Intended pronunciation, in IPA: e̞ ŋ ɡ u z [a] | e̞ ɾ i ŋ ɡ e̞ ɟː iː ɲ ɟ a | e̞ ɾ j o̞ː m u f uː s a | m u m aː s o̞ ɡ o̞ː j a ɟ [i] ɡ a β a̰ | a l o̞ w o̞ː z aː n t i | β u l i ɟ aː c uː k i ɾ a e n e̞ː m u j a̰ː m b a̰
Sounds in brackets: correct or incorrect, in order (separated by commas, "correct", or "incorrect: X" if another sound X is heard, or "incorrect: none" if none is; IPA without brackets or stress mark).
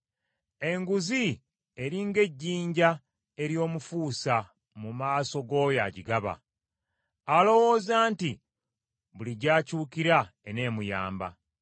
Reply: incorrect: i, correct